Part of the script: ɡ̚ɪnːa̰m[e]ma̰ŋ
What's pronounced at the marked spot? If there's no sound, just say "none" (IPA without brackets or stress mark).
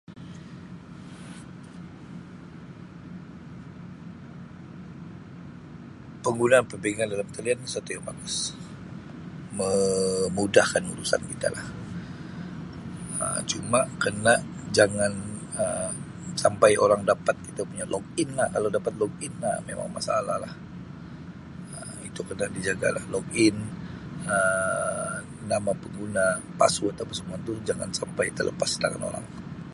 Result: e